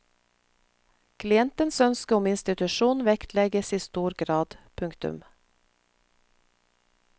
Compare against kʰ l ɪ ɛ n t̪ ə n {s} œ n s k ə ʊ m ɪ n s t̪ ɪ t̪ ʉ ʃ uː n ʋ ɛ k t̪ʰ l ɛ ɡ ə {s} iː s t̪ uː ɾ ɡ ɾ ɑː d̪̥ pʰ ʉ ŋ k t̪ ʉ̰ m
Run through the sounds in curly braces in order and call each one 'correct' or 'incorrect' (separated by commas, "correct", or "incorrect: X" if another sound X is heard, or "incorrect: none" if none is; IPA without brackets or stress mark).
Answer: correct, correct